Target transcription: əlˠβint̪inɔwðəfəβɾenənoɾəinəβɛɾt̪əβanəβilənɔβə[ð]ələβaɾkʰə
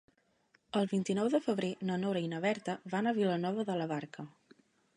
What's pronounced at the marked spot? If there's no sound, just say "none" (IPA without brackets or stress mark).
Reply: ð